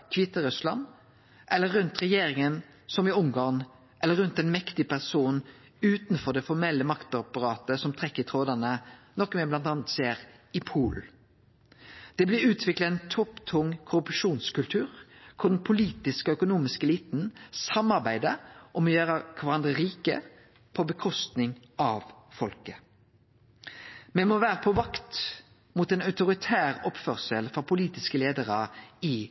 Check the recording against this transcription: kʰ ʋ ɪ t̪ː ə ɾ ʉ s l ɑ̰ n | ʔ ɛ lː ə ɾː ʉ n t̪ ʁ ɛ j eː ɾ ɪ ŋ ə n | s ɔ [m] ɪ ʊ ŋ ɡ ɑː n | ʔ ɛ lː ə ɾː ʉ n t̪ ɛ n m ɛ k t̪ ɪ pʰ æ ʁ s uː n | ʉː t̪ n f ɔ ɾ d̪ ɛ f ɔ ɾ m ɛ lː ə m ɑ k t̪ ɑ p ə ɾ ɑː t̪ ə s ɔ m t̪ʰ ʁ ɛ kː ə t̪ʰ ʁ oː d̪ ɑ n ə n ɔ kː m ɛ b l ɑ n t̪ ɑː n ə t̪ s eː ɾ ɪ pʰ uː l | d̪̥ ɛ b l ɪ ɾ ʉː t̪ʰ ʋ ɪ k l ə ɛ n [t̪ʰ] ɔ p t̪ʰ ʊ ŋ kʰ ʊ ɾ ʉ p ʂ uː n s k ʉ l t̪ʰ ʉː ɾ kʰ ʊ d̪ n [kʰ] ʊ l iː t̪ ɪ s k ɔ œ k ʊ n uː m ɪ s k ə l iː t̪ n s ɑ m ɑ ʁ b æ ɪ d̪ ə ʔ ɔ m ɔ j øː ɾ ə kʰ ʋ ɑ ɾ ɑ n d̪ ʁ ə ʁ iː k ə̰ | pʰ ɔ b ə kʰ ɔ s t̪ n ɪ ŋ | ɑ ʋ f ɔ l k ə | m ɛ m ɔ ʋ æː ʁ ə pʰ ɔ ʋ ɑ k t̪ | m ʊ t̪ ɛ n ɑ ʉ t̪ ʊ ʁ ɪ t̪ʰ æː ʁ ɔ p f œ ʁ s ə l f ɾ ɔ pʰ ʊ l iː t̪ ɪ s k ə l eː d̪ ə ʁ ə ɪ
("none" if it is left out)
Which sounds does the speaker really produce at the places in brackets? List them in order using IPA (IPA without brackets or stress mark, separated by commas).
m, t̪ʰ, pʰ